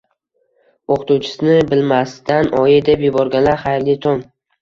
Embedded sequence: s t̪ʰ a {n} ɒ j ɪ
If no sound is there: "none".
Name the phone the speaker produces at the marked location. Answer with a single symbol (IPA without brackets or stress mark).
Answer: n